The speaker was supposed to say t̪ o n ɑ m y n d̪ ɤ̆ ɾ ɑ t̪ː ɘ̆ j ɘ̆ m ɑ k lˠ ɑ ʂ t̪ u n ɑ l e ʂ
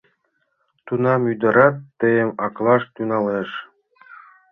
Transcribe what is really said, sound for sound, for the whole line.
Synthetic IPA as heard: t̪ u n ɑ m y d̪ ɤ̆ ɾ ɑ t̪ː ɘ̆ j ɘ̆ m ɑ k lˠ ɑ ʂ t̪ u n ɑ l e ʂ